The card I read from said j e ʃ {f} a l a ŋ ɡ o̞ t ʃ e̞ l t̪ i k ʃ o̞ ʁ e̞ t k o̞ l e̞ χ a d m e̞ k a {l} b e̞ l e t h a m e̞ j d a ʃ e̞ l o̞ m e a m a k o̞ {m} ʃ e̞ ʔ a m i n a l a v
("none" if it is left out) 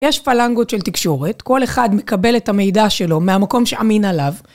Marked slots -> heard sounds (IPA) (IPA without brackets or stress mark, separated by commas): f, none, m